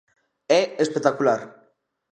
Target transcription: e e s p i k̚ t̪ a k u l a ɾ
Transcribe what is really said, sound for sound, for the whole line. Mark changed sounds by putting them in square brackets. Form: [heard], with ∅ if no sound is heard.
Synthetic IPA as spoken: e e s p [e] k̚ t̪ a k u l a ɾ